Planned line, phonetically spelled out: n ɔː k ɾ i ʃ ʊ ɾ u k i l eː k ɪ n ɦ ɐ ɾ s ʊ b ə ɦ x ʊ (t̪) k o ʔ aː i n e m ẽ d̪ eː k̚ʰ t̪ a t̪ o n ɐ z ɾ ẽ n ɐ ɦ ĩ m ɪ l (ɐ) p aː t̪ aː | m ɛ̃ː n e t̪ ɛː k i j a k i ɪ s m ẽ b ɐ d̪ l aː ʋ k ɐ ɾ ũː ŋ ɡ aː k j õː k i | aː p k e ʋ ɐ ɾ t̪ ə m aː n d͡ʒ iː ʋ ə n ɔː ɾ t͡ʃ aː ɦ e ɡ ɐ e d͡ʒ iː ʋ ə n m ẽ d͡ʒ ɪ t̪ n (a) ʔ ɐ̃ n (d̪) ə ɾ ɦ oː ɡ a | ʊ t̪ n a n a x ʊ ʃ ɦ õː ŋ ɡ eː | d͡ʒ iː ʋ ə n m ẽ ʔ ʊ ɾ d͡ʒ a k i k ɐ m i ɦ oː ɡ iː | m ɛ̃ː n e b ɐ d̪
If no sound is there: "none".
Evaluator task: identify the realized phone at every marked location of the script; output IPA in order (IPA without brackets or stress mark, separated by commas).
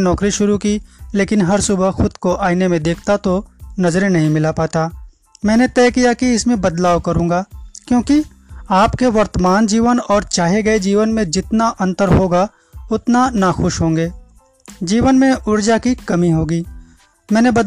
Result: d̪, a, a, t̪